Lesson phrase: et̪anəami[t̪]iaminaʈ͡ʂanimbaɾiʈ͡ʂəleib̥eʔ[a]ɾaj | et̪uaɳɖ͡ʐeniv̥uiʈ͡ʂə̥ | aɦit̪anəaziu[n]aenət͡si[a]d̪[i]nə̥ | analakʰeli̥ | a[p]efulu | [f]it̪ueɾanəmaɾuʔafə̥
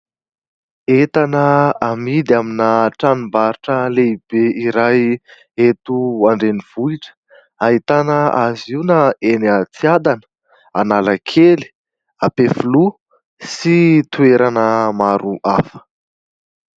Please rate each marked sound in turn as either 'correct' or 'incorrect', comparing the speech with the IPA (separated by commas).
incorrect, incorrect, correct, correct, incorrect, correct, incorrect